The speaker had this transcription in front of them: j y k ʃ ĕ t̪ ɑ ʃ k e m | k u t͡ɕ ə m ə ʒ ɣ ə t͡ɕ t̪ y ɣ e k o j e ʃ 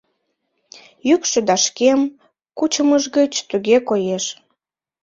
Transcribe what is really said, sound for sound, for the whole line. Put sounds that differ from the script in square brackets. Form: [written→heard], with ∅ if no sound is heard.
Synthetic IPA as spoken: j y k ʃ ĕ [t̪→d̪] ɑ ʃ k e m | k u t͡ɕ ə m ə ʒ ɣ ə t͡ɕ t̪ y ɣ e k o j e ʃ